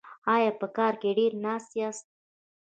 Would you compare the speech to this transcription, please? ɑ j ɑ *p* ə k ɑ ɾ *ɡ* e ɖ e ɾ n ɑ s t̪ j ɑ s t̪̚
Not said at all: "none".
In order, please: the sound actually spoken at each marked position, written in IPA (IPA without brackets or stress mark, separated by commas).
p, k